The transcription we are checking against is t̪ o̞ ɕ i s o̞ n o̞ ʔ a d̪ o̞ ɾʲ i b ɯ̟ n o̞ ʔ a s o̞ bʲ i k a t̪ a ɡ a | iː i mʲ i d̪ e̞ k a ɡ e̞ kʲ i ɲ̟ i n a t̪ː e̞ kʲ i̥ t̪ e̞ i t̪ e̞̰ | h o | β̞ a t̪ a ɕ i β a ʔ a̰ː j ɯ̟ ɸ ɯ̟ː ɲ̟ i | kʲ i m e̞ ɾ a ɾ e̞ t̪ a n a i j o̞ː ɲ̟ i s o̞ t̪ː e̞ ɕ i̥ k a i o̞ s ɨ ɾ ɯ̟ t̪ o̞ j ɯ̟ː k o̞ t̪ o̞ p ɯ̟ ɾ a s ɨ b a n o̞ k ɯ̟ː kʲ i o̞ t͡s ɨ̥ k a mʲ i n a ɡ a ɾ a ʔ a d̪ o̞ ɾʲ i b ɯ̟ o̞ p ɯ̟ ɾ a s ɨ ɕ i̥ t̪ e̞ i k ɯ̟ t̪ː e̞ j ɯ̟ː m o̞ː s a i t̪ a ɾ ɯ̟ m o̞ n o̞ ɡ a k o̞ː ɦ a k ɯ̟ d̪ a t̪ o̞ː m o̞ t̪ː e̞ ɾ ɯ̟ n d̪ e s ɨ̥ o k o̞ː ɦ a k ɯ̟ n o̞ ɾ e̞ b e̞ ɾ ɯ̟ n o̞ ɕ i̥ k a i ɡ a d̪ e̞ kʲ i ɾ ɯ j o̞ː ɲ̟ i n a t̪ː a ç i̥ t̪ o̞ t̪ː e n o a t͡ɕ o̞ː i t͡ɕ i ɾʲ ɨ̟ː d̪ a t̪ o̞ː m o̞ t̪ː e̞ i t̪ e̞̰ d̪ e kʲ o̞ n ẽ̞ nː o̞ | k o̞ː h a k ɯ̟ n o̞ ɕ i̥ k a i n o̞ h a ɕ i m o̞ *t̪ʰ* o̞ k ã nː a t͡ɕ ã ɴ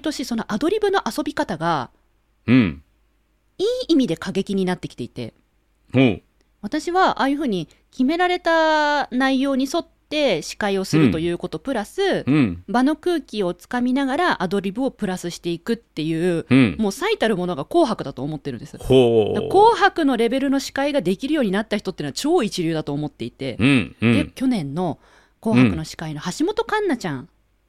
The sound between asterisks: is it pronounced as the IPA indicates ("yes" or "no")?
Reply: no